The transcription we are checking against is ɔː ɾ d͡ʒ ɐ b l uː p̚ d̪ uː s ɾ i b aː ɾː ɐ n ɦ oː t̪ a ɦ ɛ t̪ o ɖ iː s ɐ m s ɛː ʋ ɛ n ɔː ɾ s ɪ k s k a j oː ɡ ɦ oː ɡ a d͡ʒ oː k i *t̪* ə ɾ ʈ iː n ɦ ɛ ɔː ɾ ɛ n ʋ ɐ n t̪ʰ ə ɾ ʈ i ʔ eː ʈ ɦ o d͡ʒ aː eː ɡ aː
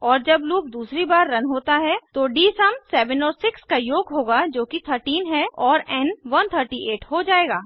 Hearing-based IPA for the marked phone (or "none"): t̪ʰ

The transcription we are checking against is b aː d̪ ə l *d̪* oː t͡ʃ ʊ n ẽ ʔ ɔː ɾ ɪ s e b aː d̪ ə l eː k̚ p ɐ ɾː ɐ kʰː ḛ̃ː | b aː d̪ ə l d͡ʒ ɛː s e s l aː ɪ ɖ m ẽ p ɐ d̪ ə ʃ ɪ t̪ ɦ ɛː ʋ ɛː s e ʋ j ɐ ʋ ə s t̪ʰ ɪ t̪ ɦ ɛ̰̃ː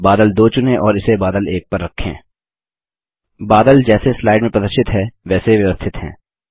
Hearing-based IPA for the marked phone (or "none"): d̪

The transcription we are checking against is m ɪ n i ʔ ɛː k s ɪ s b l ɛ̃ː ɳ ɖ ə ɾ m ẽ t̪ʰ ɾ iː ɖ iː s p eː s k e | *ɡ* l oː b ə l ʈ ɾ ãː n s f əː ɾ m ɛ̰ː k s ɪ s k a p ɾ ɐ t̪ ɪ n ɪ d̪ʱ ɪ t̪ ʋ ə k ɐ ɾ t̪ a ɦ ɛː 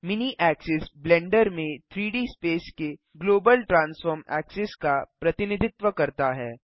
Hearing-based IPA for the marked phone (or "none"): ɡ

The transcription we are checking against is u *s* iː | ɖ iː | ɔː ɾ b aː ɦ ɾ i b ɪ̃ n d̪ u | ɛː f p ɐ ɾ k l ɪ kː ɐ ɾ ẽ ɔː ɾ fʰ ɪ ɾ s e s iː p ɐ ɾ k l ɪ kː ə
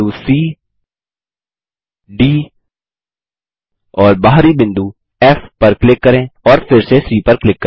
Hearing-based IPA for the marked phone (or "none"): s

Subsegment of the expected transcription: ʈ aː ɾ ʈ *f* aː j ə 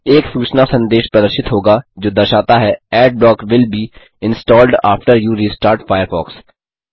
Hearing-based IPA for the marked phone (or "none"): f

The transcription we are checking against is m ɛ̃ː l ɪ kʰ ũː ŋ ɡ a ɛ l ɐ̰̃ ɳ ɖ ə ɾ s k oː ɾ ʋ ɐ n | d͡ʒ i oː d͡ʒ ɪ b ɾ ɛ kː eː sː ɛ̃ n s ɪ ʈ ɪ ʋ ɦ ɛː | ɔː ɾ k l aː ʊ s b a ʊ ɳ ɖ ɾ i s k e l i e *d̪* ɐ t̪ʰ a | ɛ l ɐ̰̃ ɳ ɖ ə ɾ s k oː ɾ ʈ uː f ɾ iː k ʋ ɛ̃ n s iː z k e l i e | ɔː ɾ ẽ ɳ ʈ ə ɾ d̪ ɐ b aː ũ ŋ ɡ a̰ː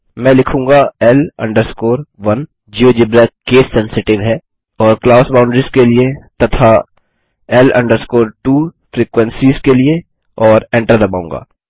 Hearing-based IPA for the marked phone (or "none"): t̪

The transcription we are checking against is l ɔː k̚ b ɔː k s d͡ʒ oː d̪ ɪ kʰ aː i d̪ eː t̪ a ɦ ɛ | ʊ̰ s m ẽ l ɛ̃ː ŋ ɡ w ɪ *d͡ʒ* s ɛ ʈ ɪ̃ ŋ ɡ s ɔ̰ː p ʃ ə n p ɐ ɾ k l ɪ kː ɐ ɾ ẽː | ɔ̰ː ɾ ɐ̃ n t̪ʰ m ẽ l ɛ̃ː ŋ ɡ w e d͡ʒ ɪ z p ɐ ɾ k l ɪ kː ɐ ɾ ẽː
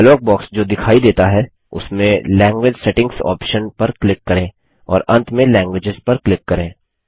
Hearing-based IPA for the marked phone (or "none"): d͡ʒ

